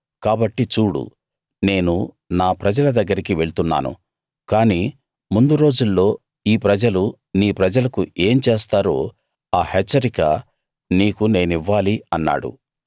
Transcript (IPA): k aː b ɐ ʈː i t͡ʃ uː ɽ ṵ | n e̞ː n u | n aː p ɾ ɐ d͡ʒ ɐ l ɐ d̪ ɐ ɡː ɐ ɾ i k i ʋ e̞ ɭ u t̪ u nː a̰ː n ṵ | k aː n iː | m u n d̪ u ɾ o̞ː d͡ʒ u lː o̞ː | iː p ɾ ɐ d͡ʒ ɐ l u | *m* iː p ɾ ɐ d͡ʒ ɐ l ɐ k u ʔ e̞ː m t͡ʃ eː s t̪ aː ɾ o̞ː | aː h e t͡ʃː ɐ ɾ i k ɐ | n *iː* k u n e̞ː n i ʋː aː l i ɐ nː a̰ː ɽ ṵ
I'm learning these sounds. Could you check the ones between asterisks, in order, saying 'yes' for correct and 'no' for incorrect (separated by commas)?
no, yes